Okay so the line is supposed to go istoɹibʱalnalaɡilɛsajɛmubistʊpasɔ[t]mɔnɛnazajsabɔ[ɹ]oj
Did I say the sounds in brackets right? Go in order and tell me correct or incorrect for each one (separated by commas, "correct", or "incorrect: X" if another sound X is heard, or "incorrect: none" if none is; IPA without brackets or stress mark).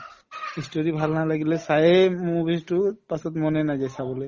correct, incorrect: l